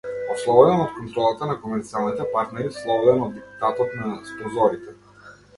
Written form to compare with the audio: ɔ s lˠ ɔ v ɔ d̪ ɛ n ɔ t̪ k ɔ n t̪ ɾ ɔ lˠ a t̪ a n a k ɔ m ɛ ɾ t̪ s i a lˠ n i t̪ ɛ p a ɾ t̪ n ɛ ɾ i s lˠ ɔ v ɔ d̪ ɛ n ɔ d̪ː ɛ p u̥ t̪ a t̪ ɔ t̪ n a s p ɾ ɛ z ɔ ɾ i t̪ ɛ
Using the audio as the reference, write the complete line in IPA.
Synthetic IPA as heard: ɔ s lˠ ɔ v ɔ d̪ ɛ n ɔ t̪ k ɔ n t̪ ɾ ɔ lˠ a t̪ a n a k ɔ m ɛ ɾ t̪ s i a lˠ n i t̪ ɛ p a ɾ t̪ n ɛ ɾ i s lˠ ɔ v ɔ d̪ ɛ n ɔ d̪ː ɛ p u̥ t̪ a t̪ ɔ t̪ n a s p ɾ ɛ z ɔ ɾ i t̪ ɛ